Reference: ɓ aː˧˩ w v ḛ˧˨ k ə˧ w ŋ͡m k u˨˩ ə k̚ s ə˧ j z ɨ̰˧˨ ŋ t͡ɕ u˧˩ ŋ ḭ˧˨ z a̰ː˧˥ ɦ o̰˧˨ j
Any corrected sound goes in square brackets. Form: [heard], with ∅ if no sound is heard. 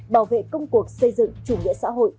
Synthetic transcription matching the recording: ɓ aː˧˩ w v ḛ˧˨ k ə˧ w ŋ͡m k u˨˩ ə k̚ s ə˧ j z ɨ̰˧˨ ŋ t͡ɕ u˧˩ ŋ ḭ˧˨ [s] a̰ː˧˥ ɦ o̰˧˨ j